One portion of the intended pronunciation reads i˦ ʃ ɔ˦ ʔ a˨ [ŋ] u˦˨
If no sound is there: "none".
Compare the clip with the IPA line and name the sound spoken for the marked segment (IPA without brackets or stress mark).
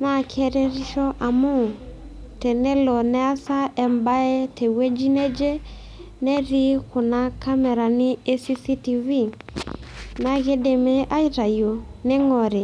m